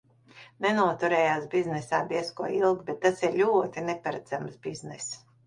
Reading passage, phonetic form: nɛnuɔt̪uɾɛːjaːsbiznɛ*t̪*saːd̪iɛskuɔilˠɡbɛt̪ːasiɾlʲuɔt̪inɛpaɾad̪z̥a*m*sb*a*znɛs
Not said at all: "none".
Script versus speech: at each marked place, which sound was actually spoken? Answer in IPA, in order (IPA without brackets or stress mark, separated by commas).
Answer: none, m, i